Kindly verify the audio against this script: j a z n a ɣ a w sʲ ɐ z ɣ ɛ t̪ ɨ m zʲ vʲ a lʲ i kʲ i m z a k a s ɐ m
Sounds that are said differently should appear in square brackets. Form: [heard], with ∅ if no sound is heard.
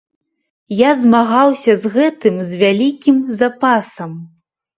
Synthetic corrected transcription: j a z [m] a ɣ a w sʲ ɐ z ɣ ɛ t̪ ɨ m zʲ vʲ a lʲ i kʲ i m z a [p] a s ɐ m